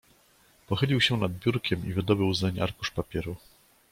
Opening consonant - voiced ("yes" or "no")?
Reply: no